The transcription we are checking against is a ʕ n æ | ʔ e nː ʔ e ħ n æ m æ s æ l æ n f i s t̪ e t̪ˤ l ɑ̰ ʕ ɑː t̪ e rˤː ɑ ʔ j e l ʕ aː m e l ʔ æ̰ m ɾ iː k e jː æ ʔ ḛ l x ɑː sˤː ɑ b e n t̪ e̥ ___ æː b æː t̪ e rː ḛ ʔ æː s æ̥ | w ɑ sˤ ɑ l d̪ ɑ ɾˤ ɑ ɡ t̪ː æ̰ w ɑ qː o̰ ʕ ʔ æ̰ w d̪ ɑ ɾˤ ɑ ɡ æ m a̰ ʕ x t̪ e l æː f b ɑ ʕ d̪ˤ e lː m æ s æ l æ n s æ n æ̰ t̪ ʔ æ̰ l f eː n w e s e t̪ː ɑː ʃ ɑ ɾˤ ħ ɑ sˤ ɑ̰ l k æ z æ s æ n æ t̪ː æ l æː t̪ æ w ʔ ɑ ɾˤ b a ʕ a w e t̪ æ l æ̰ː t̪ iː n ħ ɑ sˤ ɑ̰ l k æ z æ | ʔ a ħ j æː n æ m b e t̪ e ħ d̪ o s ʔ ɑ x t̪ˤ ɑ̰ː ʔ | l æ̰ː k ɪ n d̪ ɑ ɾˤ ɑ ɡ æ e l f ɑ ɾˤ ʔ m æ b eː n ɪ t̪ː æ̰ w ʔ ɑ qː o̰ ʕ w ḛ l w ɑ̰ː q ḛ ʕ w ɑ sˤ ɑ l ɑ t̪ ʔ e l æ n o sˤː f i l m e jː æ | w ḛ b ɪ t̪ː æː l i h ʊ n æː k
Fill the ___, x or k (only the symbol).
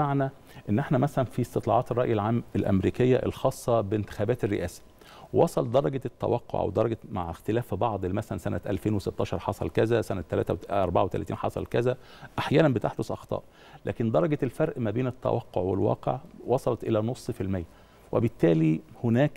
x